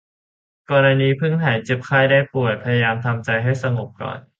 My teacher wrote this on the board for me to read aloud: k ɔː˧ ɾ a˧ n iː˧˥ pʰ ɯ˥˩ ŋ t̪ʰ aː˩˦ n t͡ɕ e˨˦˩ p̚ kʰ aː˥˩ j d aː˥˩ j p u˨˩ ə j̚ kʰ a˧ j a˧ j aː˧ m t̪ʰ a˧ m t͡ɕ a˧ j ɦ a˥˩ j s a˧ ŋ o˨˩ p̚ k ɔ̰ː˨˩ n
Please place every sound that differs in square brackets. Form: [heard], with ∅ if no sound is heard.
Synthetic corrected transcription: k ɔː˧ ɾ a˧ n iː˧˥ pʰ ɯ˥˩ ŋ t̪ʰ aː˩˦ n t͡ɕ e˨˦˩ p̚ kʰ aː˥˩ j d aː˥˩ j p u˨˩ ə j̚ [pʰ] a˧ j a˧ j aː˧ m t̪ʰ a˧ m t͡ɕ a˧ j ɦ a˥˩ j s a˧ ŋ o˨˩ p̚ k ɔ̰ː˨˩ n